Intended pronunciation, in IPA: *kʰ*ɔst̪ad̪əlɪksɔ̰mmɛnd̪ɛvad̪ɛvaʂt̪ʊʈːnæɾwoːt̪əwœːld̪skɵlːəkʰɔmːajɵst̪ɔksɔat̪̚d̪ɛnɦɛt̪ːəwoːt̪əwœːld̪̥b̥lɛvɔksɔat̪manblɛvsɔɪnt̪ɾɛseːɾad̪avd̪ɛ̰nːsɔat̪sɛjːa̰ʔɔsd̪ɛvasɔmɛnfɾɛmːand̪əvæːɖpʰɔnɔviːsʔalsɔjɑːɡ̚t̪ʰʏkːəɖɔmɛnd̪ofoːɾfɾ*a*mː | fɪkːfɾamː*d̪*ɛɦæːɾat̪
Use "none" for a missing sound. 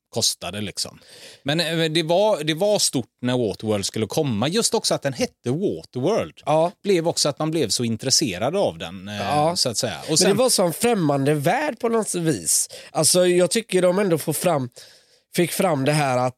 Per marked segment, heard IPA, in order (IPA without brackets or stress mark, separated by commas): kʰ, a, d̪